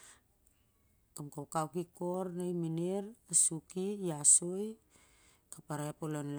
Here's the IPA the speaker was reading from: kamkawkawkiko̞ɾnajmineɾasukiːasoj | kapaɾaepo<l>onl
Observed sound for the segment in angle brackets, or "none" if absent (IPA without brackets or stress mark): l